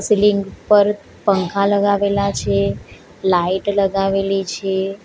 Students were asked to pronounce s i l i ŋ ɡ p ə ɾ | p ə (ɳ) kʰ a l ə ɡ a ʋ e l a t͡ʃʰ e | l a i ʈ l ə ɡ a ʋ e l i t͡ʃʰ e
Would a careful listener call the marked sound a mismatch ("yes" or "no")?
yes